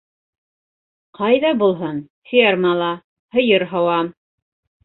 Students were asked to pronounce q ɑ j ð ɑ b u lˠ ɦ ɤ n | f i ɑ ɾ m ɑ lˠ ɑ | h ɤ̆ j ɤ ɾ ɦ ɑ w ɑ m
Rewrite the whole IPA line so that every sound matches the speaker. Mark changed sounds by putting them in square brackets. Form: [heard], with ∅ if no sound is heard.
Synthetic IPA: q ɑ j ð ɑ b u lˠ ɦ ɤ n | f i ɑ ɾ m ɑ lˠ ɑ | h ɤ̆ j ɤ ɾ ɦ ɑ w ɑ m